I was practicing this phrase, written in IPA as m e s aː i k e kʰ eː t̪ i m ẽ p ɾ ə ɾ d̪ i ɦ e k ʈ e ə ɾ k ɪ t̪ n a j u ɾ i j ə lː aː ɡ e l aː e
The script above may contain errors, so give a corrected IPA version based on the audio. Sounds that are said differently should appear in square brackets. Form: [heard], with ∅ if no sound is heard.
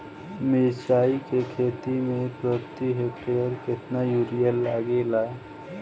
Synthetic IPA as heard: m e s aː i k e kʰ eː t̪ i m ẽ p ɾ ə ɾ [t̪] i ɦ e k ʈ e ə ɾ k ɪ t̪ n a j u ɾ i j ə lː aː ɡ e l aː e